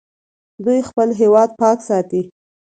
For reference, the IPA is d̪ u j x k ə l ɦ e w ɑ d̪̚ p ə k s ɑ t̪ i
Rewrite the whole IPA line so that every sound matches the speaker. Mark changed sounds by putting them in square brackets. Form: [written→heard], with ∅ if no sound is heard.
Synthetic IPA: d̪ u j x [k→p] ə l ɦ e w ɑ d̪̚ p [ə→ɑ] k s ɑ t̪ i